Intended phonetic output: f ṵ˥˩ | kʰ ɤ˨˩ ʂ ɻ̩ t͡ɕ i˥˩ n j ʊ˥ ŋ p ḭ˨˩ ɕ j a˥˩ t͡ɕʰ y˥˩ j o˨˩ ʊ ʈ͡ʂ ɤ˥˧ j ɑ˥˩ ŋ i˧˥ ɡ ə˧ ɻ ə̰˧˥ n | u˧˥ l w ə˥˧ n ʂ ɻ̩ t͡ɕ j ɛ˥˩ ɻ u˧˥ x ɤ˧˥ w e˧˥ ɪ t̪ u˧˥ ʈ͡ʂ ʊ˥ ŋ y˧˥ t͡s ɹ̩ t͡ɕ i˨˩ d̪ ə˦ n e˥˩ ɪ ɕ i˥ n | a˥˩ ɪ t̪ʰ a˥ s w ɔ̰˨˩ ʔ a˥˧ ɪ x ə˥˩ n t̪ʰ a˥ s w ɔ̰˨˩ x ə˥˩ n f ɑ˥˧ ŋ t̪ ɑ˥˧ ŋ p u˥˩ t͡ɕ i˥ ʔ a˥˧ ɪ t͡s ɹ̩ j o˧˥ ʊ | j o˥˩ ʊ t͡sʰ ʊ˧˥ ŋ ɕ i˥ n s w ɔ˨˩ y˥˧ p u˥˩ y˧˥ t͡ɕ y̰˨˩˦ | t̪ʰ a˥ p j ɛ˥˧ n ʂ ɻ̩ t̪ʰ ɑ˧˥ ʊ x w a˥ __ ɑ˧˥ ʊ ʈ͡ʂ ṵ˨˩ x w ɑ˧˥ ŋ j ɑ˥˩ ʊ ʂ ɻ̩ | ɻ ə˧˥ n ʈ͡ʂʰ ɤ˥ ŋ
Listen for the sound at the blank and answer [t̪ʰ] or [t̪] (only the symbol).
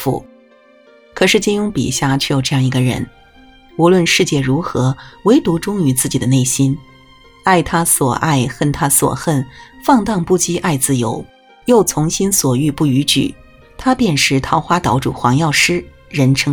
t̪